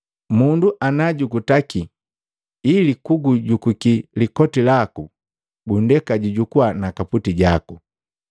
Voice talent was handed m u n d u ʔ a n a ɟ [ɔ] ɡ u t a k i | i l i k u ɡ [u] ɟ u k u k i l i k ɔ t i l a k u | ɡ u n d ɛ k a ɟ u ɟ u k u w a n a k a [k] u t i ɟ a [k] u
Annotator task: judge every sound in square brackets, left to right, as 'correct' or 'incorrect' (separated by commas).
incorrect, correct, incorrect, correct